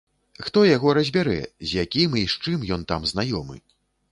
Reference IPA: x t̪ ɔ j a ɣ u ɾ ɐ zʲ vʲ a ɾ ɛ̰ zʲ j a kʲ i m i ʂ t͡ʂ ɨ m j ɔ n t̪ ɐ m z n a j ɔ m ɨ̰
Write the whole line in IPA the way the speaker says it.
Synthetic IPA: x t̪ ɔ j a ɣ ɔ ɾ ɐ zʲ bʲ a ɾ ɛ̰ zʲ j a kʲ i m i ʂ t͡ʂ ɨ m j ɔ n t̪ a m z n a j ɔ m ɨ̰